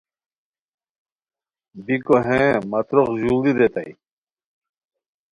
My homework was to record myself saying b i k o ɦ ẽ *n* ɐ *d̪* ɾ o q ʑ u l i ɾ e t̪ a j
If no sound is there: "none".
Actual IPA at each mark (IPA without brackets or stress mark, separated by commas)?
m, t̪